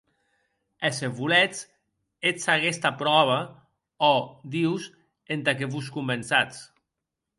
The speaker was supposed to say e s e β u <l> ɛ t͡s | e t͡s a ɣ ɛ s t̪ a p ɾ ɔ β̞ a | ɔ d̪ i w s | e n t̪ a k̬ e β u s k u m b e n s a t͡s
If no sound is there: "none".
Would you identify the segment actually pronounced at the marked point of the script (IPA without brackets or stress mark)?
l